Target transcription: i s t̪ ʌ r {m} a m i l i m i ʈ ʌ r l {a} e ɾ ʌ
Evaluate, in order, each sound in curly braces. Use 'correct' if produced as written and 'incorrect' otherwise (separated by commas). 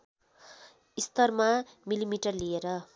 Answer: correct, incorrect